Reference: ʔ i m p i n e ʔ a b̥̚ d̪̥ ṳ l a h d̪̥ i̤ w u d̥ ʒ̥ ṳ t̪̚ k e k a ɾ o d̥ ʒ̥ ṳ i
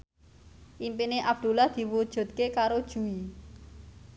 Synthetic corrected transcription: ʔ i m p i n e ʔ a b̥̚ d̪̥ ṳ l a h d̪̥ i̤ w u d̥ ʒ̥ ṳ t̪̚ k e k a ɾ o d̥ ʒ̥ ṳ i